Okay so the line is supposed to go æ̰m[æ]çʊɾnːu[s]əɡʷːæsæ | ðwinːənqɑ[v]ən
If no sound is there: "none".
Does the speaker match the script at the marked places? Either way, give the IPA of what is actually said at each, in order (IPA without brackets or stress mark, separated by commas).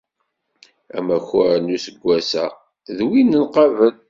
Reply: æ, s, v